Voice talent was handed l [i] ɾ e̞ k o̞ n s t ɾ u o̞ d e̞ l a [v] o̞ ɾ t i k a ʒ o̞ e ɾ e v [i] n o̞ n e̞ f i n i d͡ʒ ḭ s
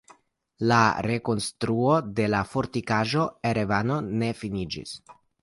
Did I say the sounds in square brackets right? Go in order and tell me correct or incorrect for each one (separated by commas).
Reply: incorrect, incorrect, incorrect